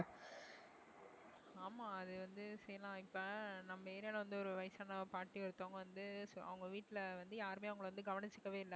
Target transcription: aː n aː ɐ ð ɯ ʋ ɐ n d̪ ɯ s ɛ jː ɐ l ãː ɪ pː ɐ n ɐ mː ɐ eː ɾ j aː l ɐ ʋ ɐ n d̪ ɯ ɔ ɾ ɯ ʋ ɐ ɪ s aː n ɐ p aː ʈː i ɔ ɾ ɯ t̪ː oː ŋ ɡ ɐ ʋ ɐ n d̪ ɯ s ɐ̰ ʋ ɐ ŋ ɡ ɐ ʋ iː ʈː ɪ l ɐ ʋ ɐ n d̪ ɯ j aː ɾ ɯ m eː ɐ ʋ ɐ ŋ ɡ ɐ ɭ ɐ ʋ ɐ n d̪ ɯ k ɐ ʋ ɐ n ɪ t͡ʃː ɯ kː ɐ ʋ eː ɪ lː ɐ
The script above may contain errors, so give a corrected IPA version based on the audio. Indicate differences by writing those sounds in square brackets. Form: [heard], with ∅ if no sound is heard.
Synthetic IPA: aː [m] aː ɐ ð ɯ ʋ ɐ n d̪ ɯ s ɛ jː ɐ l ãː ɪ pː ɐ n ɐ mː ɐ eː ɾ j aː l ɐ ʋ ɐ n d̪ ɯ ɔ ɾ ɯ ʋ ɐ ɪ s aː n ɐ p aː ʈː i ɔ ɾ ɯ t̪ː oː ŋ ɡ ɐ ʋ ɐ n d̪ ɯ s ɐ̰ ʋ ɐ ŋ ɡ ɐ ʋ iː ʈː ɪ l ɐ ʋ ɐ n d̪ ɯ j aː ɾ ɯ m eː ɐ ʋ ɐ ŋ ɡ ɐ ɭ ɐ ʋ ɐ n d̪ ɯ [ɡ] ɐ ʋ ɐ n ɪ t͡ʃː ɯ kː ɐ ʋ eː ɪ lː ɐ